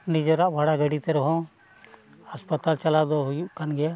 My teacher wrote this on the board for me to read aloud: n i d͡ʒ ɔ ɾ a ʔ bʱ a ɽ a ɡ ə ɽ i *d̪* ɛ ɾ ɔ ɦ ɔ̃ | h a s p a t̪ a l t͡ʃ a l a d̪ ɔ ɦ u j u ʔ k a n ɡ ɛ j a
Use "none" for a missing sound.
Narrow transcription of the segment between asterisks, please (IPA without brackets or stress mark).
t̪